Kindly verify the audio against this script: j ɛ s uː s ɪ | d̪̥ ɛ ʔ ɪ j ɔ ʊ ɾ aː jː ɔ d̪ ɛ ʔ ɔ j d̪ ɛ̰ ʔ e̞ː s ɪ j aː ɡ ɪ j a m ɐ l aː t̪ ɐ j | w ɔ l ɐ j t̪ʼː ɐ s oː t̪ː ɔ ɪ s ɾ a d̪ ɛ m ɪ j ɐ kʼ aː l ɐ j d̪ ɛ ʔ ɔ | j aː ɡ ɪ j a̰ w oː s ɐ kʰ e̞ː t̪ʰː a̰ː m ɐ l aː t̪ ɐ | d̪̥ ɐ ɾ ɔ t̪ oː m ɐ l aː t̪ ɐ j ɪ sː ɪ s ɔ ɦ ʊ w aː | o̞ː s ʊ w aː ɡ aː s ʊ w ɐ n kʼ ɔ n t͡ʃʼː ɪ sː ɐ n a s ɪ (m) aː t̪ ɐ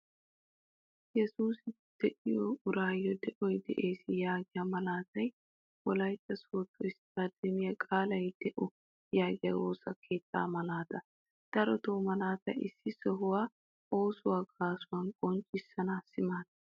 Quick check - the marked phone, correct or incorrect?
correct